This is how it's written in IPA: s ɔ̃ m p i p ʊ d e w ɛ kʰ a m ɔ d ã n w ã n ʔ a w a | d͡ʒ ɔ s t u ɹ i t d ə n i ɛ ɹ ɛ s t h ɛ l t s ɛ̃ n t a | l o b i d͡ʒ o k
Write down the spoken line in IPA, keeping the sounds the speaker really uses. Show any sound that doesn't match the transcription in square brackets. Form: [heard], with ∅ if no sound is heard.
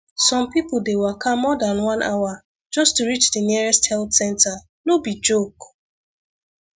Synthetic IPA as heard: s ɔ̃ m p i p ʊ d e w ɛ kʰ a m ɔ d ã n w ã n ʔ a w a | d͡ʒ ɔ s t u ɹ i [t͡ʃ] d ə n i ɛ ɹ ɛ s t h ɛ l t s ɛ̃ n t a | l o b i d͡ʒ o k